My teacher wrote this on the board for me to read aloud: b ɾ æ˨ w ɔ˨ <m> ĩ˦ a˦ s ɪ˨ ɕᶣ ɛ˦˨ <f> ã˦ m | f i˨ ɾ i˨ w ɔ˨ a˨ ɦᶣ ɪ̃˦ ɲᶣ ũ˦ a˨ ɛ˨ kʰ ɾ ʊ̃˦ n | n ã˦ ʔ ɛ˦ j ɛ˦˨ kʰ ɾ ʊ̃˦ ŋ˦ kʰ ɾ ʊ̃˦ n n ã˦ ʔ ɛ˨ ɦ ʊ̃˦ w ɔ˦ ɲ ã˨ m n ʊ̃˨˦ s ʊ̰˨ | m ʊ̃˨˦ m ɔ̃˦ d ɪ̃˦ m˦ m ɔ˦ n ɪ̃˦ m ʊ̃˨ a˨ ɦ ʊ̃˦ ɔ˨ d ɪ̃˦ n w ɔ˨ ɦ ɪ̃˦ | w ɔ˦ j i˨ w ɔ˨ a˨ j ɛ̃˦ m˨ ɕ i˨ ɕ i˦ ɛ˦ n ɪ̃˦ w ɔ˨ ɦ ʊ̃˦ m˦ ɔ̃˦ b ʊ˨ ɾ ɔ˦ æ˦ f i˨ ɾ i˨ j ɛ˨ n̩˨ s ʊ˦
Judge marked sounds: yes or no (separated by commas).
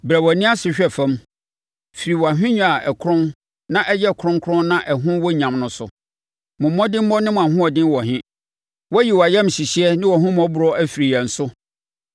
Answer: no, yes